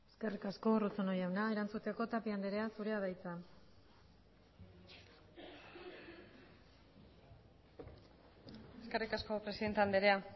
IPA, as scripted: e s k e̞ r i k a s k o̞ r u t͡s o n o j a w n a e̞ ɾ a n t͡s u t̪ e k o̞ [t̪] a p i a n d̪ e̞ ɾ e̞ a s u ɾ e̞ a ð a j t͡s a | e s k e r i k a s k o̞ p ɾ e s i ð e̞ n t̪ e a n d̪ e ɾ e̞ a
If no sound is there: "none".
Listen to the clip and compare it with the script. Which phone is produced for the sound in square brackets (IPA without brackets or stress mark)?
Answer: t̪